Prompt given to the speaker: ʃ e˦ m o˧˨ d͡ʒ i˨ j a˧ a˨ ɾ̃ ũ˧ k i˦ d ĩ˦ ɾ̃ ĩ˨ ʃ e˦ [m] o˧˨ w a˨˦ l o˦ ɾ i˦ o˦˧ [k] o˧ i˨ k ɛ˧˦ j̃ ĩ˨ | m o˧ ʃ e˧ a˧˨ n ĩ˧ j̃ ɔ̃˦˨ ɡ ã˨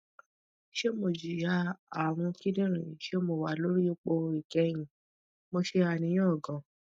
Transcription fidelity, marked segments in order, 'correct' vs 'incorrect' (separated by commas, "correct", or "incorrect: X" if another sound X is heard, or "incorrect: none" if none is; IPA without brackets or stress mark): correct, incorrect: k͡p